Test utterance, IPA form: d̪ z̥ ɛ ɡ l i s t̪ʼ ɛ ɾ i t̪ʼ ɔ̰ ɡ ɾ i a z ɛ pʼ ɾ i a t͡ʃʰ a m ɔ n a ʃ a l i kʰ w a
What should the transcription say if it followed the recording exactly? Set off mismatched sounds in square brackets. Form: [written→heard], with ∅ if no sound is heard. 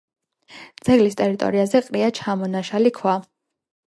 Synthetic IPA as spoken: d̪ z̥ ɛ ɡ l i s t̪ʼ ɛ ɾ i t̪ʼ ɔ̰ [ɡ→∅] ɾ i a z ɛ [pʼ→qʼ] ɾ i a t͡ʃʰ a m ɔ n a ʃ a l i kʰ w a